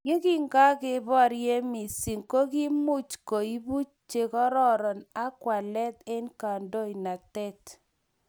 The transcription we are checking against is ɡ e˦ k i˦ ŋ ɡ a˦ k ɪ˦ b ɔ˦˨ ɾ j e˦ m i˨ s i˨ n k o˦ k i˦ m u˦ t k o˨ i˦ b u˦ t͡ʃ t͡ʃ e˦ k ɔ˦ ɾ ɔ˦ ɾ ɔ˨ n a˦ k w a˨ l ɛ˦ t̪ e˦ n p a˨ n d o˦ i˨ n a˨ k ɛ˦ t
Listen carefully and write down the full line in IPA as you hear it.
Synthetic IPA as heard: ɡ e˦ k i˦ ŋ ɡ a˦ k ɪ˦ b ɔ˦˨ ɾ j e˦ m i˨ s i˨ ŋ k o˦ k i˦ m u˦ t͡ʃ k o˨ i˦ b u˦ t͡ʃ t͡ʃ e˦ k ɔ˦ ɾ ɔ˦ ɾ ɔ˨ n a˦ k w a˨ l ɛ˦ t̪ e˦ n k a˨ n d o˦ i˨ n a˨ t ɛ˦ t